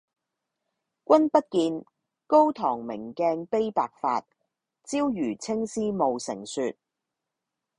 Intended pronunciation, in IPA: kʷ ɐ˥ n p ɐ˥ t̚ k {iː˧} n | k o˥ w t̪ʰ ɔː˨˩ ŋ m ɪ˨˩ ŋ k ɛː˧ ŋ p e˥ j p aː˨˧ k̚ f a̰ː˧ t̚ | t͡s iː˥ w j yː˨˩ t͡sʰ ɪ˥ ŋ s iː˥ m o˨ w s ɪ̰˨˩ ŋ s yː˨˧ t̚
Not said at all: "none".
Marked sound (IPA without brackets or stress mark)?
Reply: iː˧